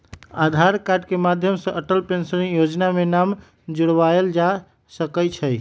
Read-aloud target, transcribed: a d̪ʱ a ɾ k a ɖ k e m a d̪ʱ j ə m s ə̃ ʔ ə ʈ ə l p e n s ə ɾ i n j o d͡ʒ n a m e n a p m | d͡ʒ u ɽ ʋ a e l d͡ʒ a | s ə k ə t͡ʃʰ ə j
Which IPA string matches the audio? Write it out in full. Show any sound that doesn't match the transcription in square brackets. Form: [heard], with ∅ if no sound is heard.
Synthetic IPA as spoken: a d̪ʱ a ɾ k a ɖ k e m a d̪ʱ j ə m s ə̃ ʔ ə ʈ ə l p e n s ə ɾ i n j o d͡ʒ n a m e n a [∅] m | d͡ʒ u ɽ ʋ a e l d͡ʒ a | s ə k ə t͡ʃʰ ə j

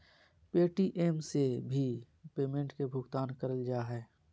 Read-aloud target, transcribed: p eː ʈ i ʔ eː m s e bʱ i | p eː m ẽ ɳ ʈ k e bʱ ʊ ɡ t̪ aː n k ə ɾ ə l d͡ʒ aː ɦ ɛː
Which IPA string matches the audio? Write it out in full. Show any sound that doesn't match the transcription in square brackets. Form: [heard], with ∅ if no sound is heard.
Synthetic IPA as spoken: p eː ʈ i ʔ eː m s e bʱ i | p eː m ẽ ɳ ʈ k e bʱ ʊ ɡ t̪ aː n k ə ɾ ə l d͡ʒ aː ɦ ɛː

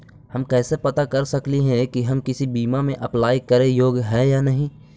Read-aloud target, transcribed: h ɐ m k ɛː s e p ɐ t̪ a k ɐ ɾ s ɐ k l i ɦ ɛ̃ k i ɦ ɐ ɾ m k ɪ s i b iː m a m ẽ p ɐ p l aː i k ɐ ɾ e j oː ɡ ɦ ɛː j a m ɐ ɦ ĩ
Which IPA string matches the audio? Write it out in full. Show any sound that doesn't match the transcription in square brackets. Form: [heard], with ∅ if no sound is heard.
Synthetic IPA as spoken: h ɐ m k ɛː s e p ɐ t̪ a k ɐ ɾ s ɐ k l i ɦ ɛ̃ k i ɦ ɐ [∅] m k ɪ s i b iː m a m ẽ [ʔ] ɐ p l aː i k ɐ ɾ e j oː ɡ ɦ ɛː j a [n] ɐ ɦ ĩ

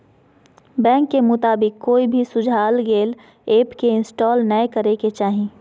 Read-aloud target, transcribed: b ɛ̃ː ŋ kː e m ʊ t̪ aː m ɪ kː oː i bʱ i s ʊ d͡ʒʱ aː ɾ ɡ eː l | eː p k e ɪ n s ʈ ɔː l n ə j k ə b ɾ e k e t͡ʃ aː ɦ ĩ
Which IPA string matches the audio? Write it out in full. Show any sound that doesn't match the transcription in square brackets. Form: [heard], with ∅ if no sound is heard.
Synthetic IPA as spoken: b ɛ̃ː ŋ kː e m ʊ t̪ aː [b] ɪ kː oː i bʱ i s ʊ d͡ʒʱ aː [l] ɡ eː l | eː p k e ɪ n s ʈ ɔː l n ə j k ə [∅] ɾ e k e t͡ʃ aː ɦ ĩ

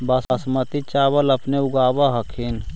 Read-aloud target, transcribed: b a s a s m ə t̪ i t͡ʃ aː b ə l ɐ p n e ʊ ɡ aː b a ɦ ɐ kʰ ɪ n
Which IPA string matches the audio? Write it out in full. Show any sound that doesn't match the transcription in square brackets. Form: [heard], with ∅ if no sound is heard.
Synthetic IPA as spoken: b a s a s m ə t̪ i t͡ʃ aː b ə l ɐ p n e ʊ ɡ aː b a ɦ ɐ kʰ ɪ n

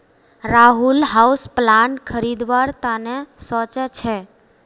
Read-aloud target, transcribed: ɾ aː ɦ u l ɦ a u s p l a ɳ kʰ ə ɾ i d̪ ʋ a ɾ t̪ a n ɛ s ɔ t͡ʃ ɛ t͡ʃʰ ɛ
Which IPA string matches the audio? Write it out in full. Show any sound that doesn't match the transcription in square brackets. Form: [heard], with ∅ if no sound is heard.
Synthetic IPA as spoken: ɾ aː ɦ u l ɦ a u s p l a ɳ kʰ ə ɾ i d̪ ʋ a ɾ t̪ a n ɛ s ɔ t͡ʃ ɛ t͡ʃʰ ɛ

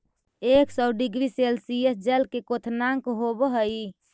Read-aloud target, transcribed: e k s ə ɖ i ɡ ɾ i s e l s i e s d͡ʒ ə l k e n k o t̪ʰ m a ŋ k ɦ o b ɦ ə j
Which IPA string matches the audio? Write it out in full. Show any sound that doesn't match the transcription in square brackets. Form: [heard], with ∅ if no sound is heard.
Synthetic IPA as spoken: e k s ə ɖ i ɡ ɾ i s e l s i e s d͡ʒ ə l k e [∅] k o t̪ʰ [n] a ŋ k ɦ o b ɦ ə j

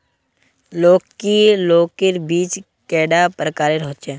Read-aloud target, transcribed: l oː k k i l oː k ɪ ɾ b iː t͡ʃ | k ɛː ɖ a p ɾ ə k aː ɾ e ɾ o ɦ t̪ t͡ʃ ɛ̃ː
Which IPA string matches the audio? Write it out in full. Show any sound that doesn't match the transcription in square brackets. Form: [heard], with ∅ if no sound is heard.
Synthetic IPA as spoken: l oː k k i l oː k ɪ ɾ b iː t͡ʃ | k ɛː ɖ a p ɾ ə k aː ɾ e ɾ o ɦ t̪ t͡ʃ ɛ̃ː

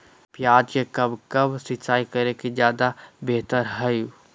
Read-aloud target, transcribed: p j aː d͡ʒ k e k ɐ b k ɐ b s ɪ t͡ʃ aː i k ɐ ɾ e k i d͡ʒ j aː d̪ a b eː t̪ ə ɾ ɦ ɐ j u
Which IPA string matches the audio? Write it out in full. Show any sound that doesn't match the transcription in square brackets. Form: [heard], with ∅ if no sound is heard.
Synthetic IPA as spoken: p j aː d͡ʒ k e k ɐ b k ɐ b s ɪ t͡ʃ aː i k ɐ ɾ e k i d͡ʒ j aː d̪ a b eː t̪ ə ɾ ɦ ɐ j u

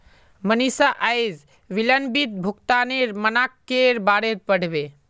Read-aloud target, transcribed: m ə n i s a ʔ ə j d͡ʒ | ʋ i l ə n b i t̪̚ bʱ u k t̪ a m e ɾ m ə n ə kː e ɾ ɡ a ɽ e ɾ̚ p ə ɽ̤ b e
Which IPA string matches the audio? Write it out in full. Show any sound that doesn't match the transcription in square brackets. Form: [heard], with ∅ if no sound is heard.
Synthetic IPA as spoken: m ə n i s a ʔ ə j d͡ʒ | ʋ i l ə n b i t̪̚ bʱ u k t̪ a [n] e ɾ m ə n [a] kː e ɾ [b] a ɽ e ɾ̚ p ə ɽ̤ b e

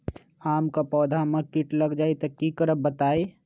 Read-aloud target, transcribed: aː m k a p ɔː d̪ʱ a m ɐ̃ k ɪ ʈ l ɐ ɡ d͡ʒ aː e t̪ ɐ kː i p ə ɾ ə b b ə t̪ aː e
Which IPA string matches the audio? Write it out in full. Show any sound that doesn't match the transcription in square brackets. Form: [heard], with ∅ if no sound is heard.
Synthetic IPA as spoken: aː m k a p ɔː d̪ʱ a m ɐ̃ k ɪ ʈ l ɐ ɡ d͡ʒ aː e t̪ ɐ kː i [k] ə ɾ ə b b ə t̪ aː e

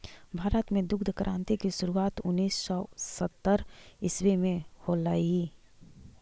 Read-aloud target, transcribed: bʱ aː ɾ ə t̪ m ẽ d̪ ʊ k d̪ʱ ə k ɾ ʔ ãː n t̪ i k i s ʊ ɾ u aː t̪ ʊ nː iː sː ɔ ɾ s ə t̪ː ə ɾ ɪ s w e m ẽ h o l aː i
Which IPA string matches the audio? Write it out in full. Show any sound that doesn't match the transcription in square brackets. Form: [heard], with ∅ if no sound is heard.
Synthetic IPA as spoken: bʱ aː ɾ ə t̪ m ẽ d̪ ʊ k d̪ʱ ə k ɾ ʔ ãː n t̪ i k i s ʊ ɾ u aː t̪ ʊ nː iː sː ɔ [∅] s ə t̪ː ə ɾ ɪ s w e m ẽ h o l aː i

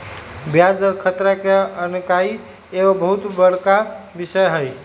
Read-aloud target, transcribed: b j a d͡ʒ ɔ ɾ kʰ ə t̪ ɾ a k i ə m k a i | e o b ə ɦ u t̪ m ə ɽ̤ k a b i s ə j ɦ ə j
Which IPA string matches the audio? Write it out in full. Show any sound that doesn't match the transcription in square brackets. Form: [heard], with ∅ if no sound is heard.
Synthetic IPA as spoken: b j a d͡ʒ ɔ ɾ kʰ ə t̪ ɾ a k [e] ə [n] k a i | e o b ə ɦ u t̪ [b] ə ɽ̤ k a b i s ə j ɦ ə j

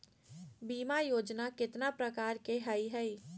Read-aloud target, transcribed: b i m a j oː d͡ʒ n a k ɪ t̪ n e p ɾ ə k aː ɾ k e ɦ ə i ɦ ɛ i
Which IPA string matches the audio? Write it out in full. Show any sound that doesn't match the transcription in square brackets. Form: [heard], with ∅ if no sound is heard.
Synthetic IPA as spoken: b [iː] m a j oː d͡ʒ n a k ɪ t̪ n [a] p ɾ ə k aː ɾ k e ɦ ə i ɦ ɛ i

